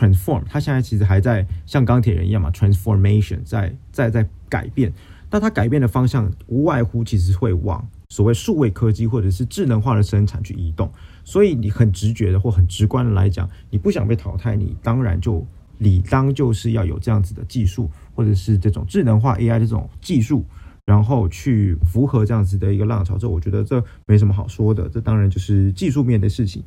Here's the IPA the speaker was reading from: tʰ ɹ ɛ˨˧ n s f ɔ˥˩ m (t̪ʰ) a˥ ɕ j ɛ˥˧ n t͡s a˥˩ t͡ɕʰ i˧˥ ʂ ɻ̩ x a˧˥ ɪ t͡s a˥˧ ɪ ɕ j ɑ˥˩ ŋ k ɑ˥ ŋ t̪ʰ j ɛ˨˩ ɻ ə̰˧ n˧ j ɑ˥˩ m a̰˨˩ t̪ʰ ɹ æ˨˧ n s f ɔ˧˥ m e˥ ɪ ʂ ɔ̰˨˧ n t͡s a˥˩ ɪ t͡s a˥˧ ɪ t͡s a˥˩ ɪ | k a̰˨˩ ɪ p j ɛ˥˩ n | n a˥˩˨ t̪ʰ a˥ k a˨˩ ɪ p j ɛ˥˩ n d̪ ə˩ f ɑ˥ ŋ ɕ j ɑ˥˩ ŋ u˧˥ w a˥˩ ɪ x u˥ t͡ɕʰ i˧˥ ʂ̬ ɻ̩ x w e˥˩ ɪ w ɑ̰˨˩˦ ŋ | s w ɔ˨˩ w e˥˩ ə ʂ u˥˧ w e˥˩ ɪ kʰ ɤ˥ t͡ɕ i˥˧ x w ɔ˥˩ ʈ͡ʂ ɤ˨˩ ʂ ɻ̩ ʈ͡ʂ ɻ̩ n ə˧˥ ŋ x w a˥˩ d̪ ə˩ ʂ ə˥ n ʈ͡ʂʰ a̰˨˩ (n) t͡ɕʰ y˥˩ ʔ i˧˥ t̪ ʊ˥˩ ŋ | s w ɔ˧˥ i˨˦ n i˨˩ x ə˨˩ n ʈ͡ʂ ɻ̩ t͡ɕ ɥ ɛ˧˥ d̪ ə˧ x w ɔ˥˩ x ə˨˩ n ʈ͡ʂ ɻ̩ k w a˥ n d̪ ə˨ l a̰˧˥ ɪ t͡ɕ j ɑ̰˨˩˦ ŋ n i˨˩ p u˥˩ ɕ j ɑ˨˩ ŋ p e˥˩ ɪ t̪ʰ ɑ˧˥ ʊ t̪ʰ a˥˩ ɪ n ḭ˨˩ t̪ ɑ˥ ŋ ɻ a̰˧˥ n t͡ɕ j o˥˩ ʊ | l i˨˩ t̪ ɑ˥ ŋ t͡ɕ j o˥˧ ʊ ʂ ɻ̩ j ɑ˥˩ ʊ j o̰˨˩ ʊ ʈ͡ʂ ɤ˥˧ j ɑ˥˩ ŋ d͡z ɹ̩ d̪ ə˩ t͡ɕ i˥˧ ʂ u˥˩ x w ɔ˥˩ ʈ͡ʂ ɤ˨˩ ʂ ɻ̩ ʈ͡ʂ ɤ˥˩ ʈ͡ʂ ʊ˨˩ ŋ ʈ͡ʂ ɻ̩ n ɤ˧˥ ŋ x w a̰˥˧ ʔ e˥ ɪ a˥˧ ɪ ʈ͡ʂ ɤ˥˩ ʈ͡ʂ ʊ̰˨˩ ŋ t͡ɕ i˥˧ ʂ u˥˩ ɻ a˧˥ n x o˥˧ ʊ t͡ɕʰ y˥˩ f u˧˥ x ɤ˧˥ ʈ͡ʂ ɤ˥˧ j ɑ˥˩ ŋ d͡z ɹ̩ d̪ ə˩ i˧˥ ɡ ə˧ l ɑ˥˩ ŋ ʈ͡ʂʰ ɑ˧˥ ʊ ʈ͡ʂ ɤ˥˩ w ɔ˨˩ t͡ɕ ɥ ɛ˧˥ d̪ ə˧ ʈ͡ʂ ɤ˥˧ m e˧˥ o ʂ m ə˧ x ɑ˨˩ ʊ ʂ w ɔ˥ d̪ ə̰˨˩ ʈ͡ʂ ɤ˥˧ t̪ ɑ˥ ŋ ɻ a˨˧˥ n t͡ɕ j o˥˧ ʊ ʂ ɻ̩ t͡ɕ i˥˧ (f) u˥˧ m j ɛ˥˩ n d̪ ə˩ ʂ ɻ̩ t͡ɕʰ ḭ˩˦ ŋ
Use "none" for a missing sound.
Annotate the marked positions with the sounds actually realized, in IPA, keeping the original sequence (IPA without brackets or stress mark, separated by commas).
t̪ʰ, n, ʂ